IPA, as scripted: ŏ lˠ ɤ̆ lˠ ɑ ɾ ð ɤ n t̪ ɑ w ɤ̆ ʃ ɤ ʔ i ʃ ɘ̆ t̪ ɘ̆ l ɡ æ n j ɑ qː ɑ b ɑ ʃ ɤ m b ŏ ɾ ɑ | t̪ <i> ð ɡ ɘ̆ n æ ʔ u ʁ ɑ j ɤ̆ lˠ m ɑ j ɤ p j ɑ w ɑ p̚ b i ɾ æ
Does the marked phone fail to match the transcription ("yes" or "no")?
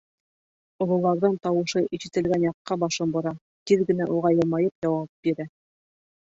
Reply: no